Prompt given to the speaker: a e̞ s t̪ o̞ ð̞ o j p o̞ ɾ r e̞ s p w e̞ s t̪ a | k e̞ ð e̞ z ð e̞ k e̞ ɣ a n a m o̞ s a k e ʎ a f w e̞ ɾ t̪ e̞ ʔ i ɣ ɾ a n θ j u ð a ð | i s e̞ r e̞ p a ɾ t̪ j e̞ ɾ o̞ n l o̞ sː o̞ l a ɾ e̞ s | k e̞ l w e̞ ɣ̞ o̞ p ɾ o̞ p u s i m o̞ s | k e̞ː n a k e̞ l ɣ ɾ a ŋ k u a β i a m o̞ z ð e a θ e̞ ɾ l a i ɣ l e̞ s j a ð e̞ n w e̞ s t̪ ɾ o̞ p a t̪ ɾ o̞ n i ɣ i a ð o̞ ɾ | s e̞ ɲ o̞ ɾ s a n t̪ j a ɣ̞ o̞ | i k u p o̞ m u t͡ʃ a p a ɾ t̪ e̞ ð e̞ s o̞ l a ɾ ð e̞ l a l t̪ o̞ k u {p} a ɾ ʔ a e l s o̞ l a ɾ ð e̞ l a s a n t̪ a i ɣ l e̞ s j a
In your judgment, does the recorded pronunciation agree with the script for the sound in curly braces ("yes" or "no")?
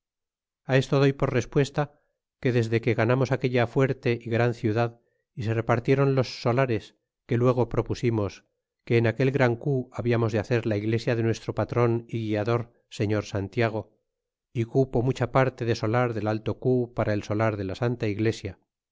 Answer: yes